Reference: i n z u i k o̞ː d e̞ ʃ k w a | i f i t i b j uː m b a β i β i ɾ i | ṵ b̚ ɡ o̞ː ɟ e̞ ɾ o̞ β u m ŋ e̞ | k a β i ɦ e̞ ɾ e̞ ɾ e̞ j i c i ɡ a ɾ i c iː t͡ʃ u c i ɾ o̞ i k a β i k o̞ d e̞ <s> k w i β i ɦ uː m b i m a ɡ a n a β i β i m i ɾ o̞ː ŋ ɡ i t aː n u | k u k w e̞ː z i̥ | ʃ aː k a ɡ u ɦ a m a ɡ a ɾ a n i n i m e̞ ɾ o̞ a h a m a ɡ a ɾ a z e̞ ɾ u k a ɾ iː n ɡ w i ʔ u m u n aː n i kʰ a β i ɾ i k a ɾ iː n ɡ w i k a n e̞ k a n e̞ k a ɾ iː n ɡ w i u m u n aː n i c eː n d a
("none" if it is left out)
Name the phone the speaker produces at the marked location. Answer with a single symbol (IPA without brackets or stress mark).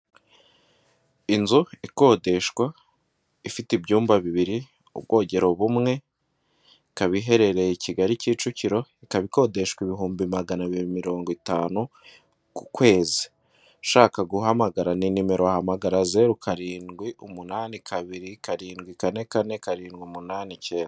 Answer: ʃ